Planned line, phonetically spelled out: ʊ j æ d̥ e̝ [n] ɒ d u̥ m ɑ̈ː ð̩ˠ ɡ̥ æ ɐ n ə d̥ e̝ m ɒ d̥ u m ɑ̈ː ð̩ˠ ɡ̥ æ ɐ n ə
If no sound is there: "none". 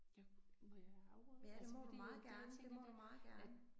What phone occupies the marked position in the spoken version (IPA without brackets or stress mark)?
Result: m